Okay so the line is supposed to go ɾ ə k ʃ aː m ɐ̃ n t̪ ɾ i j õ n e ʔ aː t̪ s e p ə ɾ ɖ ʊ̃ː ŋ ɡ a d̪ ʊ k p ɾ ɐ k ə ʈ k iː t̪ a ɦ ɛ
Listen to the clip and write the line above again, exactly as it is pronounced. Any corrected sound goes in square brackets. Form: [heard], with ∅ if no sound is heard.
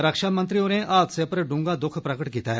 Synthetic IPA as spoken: ɾ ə k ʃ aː m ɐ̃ n t̪ ɾ i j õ n e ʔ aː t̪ s e p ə ɾ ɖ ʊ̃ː ŋ ɡ a d̪ ʊ [kʰ] p ɾ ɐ k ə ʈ k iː t̪ a ɦ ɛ